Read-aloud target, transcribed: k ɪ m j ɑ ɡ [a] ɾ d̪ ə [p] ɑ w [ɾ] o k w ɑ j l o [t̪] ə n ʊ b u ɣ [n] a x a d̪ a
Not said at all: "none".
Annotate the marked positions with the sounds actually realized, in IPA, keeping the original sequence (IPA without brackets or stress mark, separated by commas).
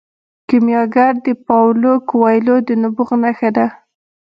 a, p, l, d̪, n